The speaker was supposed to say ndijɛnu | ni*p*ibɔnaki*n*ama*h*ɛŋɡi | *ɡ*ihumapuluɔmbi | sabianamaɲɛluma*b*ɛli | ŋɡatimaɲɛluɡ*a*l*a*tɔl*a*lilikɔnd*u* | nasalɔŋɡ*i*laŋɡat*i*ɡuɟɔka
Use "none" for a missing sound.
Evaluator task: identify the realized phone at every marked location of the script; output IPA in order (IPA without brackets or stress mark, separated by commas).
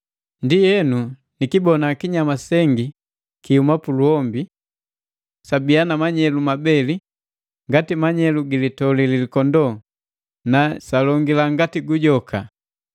k, ɲ, s, k, b, i, i, i, ɔ, i, i